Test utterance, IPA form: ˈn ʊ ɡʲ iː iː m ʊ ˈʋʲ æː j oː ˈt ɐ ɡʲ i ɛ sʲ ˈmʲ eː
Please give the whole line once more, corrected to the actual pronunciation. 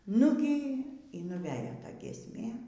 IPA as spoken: ˈn ʊ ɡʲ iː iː n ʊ ˈʋʲ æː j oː ˈt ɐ ɡʲ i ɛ sʲ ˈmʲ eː